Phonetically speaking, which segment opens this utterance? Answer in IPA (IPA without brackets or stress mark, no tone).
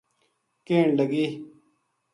k